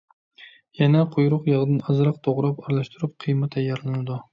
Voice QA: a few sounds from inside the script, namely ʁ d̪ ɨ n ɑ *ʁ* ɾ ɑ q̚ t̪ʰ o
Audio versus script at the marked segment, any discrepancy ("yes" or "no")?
yes